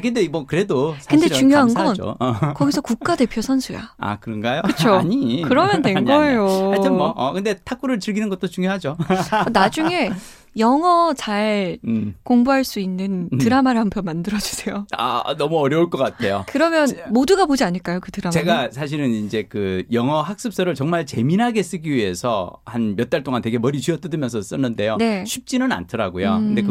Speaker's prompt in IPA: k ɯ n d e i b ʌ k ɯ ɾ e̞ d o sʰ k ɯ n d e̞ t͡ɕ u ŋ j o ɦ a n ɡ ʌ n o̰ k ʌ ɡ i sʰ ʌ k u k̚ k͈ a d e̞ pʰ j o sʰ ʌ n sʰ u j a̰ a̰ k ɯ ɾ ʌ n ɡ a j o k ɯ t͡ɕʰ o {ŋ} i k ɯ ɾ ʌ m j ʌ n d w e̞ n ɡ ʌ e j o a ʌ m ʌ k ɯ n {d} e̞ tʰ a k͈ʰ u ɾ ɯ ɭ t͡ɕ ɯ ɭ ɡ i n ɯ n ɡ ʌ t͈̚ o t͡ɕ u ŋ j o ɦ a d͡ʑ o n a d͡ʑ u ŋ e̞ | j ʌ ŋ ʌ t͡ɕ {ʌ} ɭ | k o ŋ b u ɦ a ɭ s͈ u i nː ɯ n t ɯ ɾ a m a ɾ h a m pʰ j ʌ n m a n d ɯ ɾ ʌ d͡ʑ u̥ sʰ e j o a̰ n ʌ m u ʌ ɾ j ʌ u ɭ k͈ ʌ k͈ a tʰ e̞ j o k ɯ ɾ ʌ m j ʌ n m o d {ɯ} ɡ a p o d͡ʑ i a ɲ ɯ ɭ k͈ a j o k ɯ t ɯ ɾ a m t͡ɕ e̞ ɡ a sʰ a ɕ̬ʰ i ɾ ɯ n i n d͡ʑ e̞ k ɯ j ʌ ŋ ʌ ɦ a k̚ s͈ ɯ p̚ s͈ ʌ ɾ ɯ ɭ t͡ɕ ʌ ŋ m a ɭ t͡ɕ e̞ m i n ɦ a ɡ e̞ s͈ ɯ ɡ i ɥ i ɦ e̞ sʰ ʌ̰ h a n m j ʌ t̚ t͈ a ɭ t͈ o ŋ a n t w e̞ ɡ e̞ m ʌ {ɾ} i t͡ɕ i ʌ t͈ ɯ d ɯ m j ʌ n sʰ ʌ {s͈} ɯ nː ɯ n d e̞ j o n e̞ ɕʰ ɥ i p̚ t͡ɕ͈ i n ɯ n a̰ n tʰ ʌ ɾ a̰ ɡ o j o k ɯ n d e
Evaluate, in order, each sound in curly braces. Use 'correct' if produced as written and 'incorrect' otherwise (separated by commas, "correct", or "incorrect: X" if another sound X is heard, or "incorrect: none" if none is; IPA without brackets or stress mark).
incorrect: ɲ, correct, incorrect: a, incorrect: u, correct, correct